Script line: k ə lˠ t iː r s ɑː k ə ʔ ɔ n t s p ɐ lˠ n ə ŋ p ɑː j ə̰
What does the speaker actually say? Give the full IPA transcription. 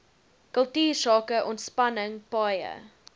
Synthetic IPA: k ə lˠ t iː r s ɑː k ə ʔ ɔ n t s p ɐ n ə ŋ p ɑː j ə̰